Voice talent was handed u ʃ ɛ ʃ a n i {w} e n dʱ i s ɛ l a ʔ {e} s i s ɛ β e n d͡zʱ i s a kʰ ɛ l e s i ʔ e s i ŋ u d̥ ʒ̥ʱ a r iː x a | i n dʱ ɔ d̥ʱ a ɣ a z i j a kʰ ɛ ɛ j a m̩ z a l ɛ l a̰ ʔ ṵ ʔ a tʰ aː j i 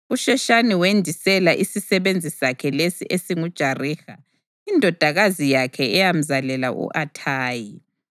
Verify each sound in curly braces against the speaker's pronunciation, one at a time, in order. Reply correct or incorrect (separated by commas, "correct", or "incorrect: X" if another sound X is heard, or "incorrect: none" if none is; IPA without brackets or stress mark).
correct, incorrect: i